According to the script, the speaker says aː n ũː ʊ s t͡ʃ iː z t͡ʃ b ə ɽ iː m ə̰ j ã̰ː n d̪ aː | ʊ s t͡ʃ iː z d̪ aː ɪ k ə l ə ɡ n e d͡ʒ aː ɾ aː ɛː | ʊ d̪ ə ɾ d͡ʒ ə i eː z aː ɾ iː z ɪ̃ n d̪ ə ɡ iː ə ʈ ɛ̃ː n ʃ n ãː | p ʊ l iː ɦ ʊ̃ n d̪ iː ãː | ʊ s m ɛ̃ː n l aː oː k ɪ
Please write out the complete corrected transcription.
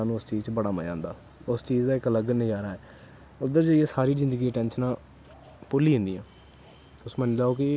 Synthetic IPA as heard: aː n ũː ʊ s t͡ʃ iː z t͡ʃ b ə ɽ aː m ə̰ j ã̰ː n d̪ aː | ʊ s t͡ʃ iː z d̪ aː ɪ k ə l ə ɡ n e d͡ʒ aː ɾ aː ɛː | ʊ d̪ ə ɾ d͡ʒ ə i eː s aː ɾ iː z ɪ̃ n d̪ ə ɡ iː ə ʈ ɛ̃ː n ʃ n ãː | p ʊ l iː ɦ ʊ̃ n d̪ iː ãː | ʊ s m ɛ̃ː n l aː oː k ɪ

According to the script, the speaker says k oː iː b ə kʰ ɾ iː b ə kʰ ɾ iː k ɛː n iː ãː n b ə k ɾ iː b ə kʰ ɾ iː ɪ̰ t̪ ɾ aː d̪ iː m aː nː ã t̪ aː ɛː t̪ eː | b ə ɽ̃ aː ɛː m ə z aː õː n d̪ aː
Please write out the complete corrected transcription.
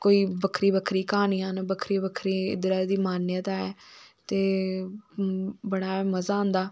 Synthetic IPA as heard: k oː iː b ə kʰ ɾ iː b ə kʰ ɾ iː k aː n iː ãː n b ə kʰ ɾ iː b ə kʰ ɾ iː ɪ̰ d̪ ɾ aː d̪ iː m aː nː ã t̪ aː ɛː t̪ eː | b ə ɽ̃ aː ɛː m ə z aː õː n d̪ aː

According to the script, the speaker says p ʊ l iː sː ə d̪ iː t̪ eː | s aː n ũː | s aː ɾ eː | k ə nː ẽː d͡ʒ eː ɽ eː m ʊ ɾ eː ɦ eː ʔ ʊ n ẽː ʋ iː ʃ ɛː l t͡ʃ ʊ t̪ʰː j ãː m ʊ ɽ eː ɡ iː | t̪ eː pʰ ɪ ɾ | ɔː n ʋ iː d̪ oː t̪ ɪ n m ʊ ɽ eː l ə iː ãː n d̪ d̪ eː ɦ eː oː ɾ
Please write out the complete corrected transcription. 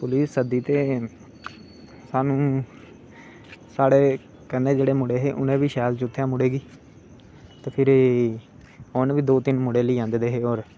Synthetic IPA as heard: p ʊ l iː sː ə d̪ iː t̪ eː | s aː n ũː | s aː ɽ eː | k ə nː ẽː d͡ʒ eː ɽ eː m ʊ ɽ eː ɦ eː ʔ ʊ n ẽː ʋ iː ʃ ɛː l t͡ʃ ʊ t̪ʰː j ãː m ʊ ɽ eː ɡ iː | t̪ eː pʰ ɪ ɾ | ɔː n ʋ iː d̪ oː t̪ ɪ n m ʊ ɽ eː l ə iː ãː n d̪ d̪ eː ɦ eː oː ɾ

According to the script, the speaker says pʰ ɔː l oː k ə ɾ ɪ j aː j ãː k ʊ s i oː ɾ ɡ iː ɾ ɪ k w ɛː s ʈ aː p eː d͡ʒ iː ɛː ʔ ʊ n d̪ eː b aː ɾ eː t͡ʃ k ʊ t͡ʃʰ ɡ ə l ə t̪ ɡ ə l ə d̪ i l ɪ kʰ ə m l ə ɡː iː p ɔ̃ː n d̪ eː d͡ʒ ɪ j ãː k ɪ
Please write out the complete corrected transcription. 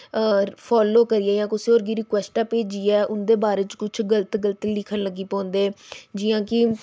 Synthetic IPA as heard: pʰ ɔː l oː k ə ɾ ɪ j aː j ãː k ʊ s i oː ɾ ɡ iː ɾ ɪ k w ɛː s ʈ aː p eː d͡ʒ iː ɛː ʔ ʊ n d̪ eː b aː ɾ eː t͡ʃ k ʊ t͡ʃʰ ɡ ə l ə t̪ ɡ ə l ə t̪ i l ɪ kʰ ə n l ə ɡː iː p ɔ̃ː n d̪ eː d͡ʒ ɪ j ãː k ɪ

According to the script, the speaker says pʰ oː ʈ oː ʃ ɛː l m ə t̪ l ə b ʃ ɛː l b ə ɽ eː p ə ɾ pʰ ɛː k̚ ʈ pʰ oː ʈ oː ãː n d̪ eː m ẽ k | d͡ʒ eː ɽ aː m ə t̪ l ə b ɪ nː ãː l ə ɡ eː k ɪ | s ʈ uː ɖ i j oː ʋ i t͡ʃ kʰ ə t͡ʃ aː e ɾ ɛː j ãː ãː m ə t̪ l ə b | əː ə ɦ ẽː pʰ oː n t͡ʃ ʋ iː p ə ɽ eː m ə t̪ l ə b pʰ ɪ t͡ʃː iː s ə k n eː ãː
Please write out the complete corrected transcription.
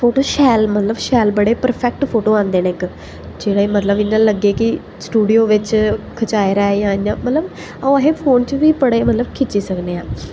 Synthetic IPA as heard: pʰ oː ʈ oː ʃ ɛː l m ə t̪ l ə b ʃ ɛː l b ə ɽ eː p ə ɾ pʰ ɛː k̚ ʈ pʰ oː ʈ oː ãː n d̪ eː n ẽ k | d͡ʒ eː ɽ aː m ə t̪ l ə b ɪ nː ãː l ə ɡ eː k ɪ | s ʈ uː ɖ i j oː ʋ ɪ t͡ʃ kʰ ə t͡ʃ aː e ɾ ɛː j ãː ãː m ə t̪ l ə b | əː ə ɦ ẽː pʰ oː n t͡ʃ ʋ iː p ə ɽ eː m ə t̪ l ə b kʰ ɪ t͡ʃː iː s ə k n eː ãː

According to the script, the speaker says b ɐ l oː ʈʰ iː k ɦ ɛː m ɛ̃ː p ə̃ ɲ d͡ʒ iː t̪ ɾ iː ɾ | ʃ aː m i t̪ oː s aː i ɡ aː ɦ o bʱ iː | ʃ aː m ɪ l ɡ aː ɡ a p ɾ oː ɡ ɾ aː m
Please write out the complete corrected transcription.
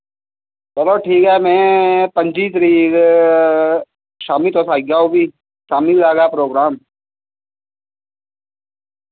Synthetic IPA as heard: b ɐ l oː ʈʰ iː k ɦ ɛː m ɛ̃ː p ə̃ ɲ d͡ʒ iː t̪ ɾ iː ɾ | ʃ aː m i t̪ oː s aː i ɡ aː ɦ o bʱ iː | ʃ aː m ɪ l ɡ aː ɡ a p ɾ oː ɡ ɾ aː m

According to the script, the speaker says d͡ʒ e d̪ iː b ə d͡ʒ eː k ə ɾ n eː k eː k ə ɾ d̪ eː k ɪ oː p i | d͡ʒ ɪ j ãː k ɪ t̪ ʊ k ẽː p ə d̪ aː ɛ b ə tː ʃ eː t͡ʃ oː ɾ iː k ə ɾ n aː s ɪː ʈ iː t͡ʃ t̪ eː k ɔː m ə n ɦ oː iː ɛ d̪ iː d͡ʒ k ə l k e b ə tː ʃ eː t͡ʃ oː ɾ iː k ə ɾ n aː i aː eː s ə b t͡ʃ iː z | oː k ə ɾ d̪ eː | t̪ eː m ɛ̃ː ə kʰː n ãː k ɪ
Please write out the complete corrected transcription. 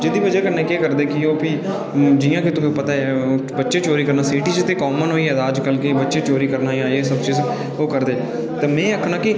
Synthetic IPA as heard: d͡ʒ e d̪ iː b ə d͡ʒ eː k ə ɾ n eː k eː k ə ɾ d̪ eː k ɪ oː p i | d͡ʒ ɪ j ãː k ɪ t̪ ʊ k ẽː p ə t̪ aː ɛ b ə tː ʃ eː t͡ʃ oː ɾ iː k ə ɾ n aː s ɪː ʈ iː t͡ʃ t̪ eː k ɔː m ə n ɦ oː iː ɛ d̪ aː d͡ʒ k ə l k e b ə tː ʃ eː t͡ʃ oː ɾ iː k ə ɾ n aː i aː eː s ə b t͡ʃ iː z | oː k ə ɾ d̪ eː | t̪ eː m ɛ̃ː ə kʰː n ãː k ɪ

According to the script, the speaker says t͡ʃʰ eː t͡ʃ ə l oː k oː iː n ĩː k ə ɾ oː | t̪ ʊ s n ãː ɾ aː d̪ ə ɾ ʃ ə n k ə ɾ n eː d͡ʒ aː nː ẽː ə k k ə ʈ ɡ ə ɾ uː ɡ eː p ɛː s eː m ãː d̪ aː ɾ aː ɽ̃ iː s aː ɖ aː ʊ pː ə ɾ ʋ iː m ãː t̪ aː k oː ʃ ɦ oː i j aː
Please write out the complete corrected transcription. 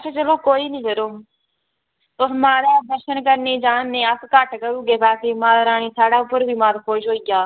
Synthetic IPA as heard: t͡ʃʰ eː t͡ʃ ə l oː k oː iː n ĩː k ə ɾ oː | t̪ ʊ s m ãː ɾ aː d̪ ə ɾ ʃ ə n k ə ɾ n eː d͡ʒ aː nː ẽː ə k k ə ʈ k ə ɾ uː ɡ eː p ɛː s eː m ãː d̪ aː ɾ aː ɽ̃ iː s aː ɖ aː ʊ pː ə ɾ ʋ iː m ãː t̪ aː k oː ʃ ɦ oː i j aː

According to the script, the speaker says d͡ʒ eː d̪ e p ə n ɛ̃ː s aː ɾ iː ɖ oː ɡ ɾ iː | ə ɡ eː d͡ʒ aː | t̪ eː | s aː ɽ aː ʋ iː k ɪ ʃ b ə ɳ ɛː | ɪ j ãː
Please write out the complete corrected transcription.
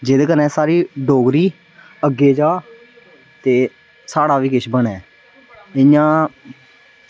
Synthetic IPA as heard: d͡ʒ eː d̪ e k ə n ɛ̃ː s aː ɾ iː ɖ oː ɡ ɾ iː | ə ɡ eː d͡ʒ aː | t̪ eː | s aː ɽ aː ʋ iː k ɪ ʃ b ə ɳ ɛː | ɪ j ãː

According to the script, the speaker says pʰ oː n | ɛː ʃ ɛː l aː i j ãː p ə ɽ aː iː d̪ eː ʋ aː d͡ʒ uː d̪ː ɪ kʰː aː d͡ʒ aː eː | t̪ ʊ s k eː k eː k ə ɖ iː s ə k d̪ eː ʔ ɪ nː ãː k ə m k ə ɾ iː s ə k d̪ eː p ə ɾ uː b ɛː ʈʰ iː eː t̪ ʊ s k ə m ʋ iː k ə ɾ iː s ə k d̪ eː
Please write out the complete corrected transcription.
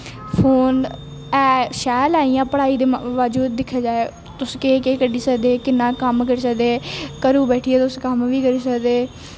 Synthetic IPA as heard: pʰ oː n | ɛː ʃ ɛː l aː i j ãː p ə ɽ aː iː d̪ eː ʋ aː d͡ʒ uː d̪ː ɪ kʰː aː d͡ʒ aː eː | t̪ ʊ s k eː k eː k ə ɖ iː s ə k d̪ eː k ɪ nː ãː k ə m k ə ɾ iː s ə k d̪ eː k ə ɾ uː b ɛː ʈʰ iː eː t̪ ʊ s k ə m ʋ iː k ə ɾ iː s ə k d̪ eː

